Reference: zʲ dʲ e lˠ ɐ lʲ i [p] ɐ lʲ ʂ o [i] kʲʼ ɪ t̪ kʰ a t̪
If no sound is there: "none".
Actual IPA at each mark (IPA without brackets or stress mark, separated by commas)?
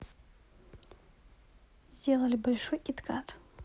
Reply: b, j